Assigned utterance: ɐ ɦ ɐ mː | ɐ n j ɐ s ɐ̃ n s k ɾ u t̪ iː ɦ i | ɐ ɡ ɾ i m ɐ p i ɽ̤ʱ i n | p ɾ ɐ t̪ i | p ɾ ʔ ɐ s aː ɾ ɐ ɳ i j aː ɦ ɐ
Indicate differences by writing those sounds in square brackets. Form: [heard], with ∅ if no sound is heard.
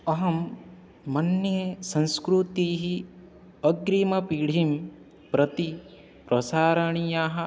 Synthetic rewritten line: ɐ ɦ ɐ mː | ɐ n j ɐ s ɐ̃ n s k ɾ u t̪ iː ɦ i | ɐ ɡ ɾ i m ɐ p i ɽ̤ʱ i [m] | p ɾ ɐ t̪ i | p ɾ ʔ ɐ s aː ɾ ɐ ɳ i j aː ɦ ɐ